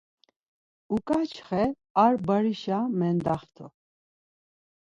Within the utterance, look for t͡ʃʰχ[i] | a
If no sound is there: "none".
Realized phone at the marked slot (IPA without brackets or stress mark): ɛ